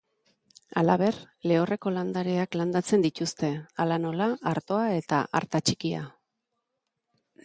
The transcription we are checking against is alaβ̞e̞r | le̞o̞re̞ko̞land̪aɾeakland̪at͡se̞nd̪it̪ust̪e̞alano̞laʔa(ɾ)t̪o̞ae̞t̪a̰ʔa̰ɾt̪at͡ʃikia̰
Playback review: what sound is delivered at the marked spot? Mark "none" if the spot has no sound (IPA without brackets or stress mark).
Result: ɾ